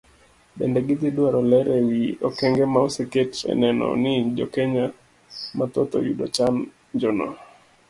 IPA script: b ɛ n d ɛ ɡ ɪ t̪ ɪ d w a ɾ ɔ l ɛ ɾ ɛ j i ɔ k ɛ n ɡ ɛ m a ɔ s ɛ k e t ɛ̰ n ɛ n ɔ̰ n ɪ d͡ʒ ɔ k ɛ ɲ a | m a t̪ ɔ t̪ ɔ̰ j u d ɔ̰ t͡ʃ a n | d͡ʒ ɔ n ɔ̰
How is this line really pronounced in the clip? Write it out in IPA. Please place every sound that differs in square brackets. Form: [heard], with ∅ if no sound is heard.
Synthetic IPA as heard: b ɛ n d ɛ ɡ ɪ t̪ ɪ d w a ɾ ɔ l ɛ ɾ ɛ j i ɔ k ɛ [ŋ] ɡ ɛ m a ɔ s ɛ k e t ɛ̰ n ɛ n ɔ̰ n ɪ d͡ʒ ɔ k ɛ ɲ a | m a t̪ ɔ t̪ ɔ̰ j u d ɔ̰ t͡ʃ a n | d͡ʒ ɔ n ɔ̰